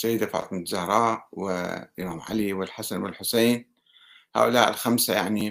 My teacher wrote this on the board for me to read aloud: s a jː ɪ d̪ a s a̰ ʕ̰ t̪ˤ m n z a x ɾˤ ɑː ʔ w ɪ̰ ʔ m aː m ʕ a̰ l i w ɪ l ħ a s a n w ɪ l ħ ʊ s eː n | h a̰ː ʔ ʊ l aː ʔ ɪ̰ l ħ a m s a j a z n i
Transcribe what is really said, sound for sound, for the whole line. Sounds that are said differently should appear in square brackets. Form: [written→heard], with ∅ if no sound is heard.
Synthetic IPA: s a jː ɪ d̪ a [s→f] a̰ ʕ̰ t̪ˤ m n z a [x→h] ɾˤ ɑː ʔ w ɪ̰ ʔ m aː m ʕ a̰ l i w ɪ l ħ a s a n w ɪ l ħ ʊ s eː n | h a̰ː ʔ ʊ l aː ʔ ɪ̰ l [ħ→x] a m s a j a [z→ʕ] n i